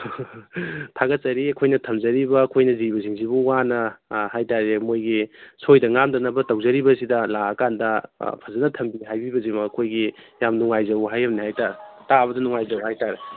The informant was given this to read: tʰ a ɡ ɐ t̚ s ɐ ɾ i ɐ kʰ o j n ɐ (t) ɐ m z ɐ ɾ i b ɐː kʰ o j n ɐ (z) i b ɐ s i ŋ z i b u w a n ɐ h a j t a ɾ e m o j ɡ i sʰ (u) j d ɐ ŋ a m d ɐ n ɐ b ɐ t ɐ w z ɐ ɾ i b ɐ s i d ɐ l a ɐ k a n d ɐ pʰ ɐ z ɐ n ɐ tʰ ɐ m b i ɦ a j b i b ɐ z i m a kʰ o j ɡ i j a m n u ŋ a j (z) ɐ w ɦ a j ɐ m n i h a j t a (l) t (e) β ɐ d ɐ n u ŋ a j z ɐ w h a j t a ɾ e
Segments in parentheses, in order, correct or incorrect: incorrect, correct, incorrect, correct, incorrect, incorrect

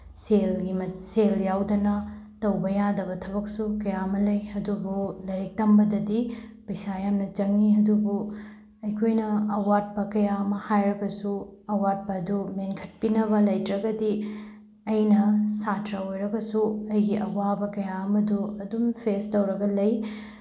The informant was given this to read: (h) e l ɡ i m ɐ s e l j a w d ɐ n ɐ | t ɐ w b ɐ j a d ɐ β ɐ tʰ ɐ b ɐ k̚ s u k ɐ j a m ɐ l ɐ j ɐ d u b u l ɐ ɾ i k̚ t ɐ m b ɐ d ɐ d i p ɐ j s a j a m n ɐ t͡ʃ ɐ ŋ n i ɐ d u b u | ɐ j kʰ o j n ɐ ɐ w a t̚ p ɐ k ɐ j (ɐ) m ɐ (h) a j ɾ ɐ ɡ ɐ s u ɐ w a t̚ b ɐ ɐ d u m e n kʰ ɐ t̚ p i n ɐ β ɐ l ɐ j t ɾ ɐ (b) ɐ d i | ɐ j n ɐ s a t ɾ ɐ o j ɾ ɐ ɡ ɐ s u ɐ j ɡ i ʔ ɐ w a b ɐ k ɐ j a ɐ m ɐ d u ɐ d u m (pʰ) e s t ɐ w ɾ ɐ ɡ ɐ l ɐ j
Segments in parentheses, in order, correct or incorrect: incorrect, incorrect, correct, incorrect, correct

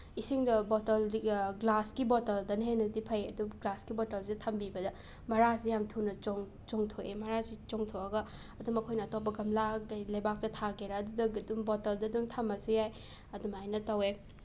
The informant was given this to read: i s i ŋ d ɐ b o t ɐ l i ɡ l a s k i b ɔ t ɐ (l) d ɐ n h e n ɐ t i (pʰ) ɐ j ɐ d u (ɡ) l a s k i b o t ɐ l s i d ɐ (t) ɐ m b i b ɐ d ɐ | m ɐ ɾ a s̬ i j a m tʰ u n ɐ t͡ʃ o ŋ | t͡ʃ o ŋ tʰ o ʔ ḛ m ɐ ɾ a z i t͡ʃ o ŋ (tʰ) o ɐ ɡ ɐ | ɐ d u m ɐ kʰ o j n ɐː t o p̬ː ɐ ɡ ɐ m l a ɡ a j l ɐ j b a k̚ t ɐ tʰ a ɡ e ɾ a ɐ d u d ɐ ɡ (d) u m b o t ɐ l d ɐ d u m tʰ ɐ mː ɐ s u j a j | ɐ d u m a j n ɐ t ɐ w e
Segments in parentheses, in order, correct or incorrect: correct, correct, correct, incorrect, correct, correct

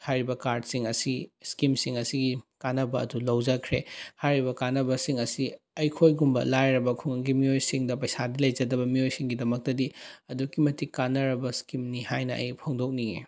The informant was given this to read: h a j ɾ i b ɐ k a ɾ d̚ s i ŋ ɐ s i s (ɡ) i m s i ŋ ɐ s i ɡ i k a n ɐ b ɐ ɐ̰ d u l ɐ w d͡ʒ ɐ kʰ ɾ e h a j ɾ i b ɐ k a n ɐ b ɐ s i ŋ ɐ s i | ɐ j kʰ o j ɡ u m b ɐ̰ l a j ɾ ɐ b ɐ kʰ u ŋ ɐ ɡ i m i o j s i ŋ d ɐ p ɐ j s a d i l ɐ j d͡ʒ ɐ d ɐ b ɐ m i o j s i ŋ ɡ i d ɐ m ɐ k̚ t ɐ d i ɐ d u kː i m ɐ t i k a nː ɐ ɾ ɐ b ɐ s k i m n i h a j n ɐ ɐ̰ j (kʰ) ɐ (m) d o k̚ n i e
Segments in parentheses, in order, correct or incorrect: incorrect, incorrect, incorrect

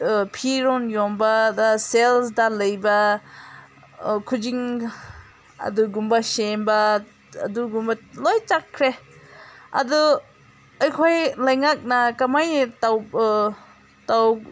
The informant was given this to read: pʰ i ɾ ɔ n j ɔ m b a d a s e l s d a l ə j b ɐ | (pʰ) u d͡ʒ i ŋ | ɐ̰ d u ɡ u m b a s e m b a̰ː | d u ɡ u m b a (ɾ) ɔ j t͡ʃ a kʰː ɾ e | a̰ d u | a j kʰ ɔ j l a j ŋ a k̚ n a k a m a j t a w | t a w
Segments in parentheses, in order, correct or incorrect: incorrect, incorrect

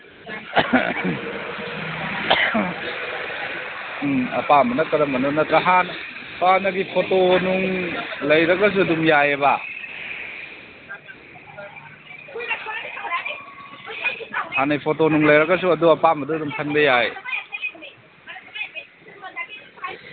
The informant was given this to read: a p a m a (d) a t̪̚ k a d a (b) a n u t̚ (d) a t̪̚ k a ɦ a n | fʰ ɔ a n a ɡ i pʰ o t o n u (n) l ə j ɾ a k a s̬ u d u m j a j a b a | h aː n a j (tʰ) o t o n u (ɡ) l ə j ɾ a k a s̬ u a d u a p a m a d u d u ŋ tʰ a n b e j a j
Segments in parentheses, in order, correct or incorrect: incorrect, incorrect, incorrect, incorrect, incorrect, incorrect

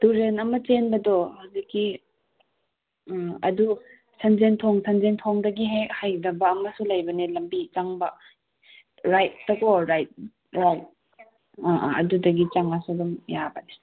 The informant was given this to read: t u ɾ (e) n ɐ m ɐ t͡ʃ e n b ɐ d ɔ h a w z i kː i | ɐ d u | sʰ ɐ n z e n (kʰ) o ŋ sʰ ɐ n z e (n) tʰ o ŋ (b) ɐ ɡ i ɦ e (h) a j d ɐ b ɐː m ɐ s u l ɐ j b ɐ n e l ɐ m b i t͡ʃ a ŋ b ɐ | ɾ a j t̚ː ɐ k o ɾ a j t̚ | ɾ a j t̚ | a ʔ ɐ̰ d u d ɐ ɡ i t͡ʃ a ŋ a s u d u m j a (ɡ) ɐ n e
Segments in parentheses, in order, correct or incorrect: correct, incorrect, correct, incorrect, correct, incorrect

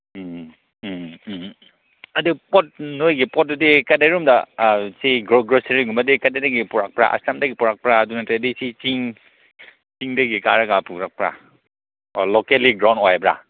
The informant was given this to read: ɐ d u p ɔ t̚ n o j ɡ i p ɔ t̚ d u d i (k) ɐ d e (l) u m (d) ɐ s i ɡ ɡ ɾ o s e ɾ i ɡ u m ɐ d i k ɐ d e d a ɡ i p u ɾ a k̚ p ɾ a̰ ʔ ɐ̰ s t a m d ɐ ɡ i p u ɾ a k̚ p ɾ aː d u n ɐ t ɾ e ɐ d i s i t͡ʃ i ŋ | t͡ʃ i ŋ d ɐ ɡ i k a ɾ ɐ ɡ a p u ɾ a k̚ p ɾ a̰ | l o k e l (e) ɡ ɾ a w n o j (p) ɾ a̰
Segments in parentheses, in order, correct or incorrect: correct, incorrect, correct, incorrect, incorrect

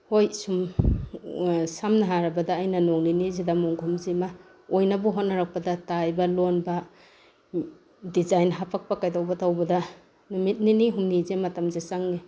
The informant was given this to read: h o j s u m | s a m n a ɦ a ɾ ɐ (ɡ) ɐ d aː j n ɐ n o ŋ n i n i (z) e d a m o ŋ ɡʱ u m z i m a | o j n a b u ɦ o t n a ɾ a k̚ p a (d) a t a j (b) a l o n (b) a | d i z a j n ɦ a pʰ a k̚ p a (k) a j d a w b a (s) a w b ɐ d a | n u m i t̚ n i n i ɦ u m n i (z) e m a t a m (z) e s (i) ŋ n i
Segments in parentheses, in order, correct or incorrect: incorrect, correct, correct, correct, correct, correct, incorrect, correct, correct, incorrect

